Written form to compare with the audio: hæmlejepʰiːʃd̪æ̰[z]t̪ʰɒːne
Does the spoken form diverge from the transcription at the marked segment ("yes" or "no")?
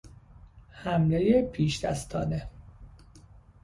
yes